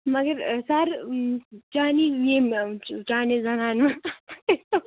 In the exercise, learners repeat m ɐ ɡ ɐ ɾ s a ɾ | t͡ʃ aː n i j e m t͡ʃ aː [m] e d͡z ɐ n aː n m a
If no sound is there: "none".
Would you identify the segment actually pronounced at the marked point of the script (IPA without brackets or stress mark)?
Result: n